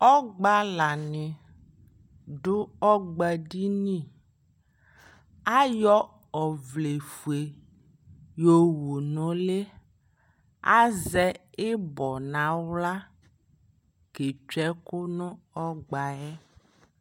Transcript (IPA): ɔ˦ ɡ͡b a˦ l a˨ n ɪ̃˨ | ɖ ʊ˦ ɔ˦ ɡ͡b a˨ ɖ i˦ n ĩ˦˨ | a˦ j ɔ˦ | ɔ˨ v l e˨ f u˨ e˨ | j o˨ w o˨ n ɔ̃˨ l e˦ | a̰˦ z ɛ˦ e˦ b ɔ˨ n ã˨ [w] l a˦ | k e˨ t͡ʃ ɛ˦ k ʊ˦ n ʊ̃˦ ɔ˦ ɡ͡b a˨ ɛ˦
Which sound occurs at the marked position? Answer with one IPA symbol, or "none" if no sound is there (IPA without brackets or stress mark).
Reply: w